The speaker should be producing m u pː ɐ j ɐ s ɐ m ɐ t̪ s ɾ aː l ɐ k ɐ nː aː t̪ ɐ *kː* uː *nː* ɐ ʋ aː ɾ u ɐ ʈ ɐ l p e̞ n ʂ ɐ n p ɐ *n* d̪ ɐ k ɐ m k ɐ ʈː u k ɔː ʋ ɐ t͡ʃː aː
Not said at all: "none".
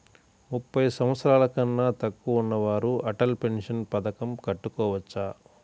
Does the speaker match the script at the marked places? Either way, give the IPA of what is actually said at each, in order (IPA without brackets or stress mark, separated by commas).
kː, nː, none